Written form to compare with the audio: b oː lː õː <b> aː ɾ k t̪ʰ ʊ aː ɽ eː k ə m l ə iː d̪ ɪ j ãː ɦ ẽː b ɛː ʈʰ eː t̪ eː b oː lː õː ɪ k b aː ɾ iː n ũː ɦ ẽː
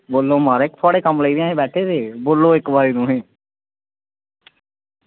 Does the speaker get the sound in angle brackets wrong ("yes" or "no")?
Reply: yes